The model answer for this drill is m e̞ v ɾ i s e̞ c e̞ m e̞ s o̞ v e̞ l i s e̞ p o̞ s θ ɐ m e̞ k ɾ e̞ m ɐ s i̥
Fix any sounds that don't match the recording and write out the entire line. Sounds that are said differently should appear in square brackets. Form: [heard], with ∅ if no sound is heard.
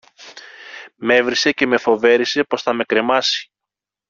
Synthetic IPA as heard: m e̞ v ɾ i s e̞ c e̞ m e̞ [f] o̞ v e̞ [ɾ] i s e̞ p o̞ s θ ɐ m e̞ k ɾ e̞ m ɐ s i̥